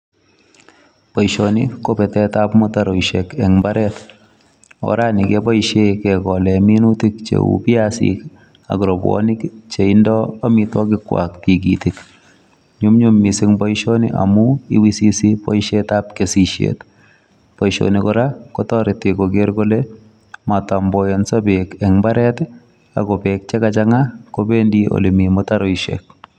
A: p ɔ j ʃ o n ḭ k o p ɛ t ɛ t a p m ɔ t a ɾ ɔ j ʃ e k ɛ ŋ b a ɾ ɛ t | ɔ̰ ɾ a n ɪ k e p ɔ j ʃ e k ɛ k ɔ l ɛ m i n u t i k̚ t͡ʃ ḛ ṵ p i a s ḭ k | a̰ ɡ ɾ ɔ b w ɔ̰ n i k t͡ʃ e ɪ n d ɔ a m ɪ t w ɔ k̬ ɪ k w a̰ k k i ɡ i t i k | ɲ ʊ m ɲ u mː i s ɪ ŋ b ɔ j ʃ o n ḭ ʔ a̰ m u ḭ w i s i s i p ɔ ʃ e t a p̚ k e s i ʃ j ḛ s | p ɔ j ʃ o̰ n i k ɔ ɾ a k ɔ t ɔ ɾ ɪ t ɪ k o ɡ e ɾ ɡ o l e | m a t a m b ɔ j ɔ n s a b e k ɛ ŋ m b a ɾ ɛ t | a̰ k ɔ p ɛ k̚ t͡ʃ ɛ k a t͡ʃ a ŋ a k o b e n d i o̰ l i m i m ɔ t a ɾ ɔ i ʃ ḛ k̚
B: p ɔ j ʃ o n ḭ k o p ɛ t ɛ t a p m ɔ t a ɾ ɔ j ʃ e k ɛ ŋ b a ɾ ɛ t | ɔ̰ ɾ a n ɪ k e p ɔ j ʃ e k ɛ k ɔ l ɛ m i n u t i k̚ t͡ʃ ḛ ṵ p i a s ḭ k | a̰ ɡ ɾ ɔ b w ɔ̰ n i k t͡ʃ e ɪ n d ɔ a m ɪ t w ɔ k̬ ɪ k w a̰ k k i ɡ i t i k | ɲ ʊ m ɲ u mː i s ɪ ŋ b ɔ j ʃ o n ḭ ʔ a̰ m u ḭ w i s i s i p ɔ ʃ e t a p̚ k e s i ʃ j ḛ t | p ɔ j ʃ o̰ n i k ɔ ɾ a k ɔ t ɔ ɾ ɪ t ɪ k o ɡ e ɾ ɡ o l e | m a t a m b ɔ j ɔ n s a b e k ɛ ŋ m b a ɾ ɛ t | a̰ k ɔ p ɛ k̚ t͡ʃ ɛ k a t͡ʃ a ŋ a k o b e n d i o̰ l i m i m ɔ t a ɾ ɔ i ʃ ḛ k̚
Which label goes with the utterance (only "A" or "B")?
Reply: B